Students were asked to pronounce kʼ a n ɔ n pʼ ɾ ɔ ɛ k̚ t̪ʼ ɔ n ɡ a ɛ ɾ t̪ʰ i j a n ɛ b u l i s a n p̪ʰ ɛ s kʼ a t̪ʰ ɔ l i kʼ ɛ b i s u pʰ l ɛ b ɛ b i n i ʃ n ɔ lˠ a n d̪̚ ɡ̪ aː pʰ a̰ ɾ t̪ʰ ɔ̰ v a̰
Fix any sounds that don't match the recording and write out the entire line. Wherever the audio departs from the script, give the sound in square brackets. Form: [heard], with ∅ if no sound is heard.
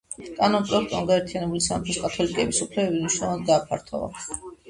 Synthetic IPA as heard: kʼ a n ɔ n pʼ ɾ ɔ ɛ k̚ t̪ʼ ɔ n ɡ a ɛ ɾ t̪ʰ i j a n ɛ b u l i s a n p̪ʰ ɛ s kʼ a t̪ʰ ɔ l i kʼ ɛ b i s u pʰ l ɛ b ɛ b i n i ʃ n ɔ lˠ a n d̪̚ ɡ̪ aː pʰ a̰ ɾ t̪ʰ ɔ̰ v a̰